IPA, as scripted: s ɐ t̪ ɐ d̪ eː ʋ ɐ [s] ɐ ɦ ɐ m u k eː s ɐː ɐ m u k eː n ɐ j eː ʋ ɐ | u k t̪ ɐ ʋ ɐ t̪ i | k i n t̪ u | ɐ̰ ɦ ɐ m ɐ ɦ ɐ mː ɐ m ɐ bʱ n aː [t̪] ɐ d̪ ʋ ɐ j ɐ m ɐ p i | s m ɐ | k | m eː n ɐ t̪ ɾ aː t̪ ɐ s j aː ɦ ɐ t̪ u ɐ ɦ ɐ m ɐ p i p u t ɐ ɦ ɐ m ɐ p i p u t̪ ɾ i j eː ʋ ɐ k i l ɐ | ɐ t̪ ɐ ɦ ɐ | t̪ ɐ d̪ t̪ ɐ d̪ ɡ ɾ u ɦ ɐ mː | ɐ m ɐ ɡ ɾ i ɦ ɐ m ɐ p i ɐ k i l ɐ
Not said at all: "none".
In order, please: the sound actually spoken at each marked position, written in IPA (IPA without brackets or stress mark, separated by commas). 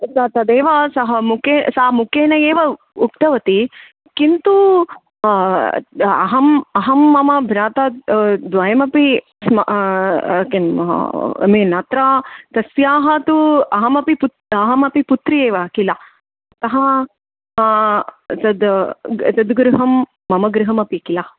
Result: s, t̪